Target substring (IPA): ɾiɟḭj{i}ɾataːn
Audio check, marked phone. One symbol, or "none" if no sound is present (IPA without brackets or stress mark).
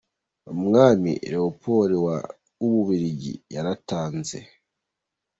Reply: a